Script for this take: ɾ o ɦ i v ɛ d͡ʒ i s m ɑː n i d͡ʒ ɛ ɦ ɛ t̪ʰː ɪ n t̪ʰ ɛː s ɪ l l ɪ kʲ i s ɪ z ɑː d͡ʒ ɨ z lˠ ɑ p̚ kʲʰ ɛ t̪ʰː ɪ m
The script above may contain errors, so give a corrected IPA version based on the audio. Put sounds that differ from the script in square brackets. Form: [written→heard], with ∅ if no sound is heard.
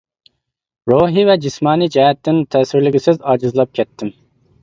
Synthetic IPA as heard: ɾ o ɦ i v ɛ d͡ʒ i s m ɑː n i d͡ʒ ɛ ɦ ɛ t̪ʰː ɪ n t̪ʰ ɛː s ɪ [l→ɾ] l ɪ [kʲ→ɡʲ] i s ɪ z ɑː d͡ʒ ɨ z lˠ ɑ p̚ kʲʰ ɛ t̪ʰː ɪ m